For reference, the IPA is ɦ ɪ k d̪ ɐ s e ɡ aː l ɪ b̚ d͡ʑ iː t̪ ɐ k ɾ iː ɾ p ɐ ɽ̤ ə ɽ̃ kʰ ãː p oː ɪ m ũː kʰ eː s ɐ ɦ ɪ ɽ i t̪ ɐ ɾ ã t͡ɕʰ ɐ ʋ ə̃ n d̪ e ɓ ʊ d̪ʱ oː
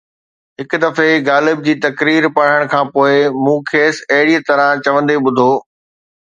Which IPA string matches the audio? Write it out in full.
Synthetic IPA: ɦ ɪ k d̪ ɐ f e ɡ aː l ɪ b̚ d͡ʑ iː t̪ ɐ k ɾ iː ɾ p ɐ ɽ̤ ə ɽ̃ kʰ ãː p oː ɪ m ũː kʰ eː s ɐ ɦ ɪ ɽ i t̪ ɐ ɾ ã t͡ɕ ɐ ʋ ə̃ n d̪ e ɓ ʊ d̪ʱ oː

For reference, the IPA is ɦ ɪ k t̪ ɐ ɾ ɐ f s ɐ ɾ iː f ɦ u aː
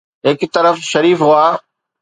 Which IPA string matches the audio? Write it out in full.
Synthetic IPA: ɦ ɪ k t̪ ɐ ɾ ə f ʃ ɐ ɾ iː f ɦ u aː

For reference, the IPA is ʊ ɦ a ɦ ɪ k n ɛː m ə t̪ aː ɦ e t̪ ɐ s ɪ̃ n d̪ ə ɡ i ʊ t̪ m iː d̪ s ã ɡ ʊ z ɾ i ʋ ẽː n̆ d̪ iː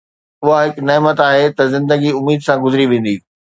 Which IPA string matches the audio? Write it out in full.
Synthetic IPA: ʊ ɦ a ɦ ɪ k n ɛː m ə t̪ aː ɦ e t̪ ɐ z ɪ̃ n d̪ ə ɡ i ʊ m iː d̪ s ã ɡ ʊ z ɾ i ʋ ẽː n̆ d̪ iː

